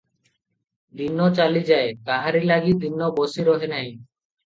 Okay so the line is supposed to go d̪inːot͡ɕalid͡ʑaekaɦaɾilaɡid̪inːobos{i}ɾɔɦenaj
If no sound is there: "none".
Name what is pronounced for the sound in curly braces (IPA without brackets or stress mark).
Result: i